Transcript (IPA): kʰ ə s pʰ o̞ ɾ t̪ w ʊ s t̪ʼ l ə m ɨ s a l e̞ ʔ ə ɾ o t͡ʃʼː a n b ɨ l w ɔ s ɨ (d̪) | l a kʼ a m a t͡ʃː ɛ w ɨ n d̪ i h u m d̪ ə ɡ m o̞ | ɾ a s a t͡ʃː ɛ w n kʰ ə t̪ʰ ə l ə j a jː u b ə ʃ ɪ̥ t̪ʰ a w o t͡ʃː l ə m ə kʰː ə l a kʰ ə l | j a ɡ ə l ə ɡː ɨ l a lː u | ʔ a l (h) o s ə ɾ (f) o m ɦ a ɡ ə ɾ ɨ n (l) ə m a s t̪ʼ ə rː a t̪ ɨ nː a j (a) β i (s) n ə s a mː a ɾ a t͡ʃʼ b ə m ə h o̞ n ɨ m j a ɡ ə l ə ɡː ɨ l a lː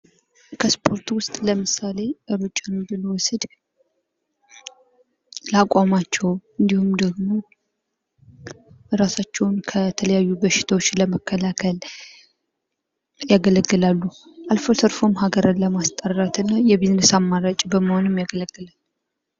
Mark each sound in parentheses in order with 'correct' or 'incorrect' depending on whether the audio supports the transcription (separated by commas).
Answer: correct, incorrect, correct, correct, incorrect, incorrect